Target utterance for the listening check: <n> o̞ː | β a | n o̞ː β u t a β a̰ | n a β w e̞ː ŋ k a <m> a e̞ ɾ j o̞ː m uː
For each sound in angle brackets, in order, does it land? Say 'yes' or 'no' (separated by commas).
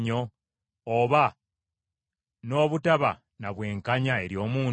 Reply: no, no